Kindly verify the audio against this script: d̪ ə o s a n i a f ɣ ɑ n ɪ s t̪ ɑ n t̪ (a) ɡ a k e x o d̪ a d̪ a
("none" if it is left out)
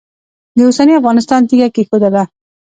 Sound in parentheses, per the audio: i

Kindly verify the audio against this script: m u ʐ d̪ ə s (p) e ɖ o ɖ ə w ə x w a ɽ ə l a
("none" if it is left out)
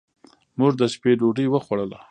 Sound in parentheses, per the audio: p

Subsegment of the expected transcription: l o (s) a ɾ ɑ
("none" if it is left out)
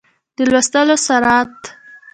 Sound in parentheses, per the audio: s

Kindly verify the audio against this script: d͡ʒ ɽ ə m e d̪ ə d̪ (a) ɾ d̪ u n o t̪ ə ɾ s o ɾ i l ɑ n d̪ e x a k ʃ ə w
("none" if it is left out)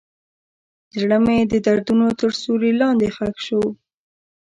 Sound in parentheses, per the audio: a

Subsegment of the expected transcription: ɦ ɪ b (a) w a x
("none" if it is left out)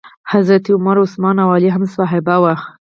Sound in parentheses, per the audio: a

